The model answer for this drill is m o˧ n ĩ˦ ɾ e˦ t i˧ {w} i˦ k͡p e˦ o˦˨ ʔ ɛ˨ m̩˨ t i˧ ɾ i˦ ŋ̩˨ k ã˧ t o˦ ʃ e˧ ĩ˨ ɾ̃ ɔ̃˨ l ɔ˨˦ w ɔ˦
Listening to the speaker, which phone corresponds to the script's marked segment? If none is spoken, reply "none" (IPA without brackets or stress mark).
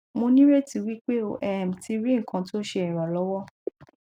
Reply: w